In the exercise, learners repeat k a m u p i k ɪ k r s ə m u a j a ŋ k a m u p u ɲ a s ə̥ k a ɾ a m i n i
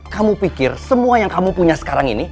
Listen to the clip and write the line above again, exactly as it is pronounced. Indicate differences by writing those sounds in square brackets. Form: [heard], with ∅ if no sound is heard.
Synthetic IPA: k a m u p i k ɪ [∅] r s ə m u a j a ŋ k a m u p u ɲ a s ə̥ k a ɾ a [ŋ] i n i